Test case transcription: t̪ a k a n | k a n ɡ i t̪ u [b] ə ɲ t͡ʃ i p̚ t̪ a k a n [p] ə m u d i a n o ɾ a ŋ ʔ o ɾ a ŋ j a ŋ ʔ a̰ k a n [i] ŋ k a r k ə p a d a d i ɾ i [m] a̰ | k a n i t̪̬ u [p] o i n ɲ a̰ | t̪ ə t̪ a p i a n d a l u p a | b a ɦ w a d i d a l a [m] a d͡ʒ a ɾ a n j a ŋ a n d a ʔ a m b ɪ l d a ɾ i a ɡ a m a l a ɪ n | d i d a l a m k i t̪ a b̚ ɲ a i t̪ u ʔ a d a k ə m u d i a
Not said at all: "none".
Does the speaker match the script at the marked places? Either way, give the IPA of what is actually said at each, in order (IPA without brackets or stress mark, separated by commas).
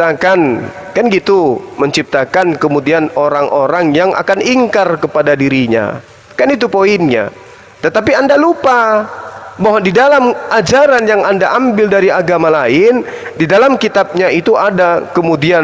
m, k, i, ɲ, p, m